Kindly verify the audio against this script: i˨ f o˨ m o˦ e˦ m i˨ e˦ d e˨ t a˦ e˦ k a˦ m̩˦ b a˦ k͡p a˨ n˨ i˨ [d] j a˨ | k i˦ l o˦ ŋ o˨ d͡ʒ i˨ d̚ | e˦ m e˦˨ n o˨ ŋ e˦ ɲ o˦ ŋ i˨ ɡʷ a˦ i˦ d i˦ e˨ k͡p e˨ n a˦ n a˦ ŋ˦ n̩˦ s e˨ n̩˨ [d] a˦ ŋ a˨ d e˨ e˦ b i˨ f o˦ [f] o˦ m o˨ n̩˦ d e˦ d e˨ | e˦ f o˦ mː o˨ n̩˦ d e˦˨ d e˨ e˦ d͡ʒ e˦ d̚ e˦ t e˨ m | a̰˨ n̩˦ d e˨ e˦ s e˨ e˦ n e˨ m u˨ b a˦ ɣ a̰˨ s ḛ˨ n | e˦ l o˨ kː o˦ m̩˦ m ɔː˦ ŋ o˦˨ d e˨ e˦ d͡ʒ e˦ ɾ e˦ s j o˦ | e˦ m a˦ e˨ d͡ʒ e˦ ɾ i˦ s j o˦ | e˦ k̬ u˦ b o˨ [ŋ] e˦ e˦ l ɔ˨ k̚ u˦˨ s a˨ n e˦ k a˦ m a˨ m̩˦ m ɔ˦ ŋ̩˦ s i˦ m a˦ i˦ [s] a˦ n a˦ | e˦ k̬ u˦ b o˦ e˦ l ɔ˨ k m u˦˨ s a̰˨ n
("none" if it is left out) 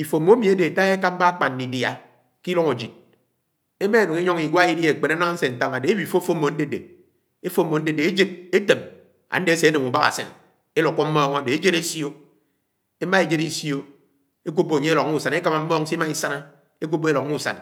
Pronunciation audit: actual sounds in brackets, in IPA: d, t, f, ɲ, s

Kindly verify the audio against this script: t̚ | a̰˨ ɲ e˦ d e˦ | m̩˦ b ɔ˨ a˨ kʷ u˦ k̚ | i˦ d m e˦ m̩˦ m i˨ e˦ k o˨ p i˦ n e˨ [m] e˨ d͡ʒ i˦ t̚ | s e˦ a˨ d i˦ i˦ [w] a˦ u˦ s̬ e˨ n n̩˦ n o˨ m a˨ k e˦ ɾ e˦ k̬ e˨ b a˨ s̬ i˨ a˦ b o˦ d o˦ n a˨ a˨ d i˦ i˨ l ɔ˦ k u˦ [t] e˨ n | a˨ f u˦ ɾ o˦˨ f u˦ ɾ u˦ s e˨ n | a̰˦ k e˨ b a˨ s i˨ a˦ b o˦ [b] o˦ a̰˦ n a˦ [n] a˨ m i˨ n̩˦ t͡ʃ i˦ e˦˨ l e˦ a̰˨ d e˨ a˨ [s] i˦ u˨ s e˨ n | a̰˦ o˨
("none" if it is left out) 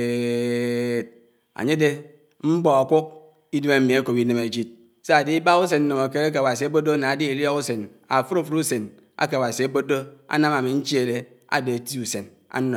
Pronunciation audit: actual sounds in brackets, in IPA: m, b, s, d, m, t

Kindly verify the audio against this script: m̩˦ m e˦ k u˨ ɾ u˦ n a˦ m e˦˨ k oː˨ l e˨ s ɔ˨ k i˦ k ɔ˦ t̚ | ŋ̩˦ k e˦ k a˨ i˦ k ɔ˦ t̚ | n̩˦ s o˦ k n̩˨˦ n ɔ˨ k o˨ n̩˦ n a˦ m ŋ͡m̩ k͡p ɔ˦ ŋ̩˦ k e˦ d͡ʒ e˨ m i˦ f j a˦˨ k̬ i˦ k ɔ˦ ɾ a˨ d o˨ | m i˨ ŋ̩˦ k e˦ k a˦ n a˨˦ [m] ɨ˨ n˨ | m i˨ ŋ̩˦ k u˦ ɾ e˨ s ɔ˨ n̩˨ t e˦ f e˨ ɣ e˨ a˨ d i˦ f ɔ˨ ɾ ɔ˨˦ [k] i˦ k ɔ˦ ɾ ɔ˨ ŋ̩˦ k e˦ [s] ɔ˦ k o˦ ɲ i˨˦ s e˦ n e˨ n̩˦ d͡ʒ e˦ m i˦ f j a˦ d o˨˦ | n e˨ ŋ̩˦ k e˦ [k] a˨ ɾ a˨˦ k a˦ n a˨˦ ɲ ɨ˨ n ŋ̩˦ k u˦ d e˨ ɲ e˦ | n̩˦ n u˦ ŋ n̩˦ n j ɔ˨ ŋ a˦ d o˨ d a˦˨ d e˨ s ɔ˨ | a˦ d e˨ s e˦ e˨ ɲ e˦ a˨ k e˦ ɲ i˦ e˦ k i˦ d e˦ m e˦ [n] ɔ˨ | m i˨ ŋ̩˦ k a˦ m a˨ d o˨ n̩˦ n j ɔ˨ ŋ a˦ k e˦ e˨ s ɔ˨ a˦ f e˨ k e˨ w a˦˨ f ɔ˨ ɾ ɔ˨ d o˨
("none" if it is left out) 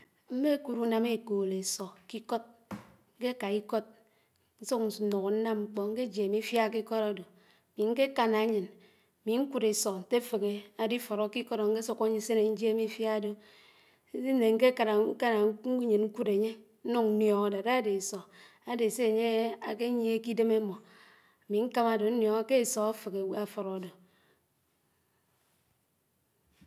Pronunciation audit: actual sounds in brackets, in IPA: ɲ, k, s, k, m

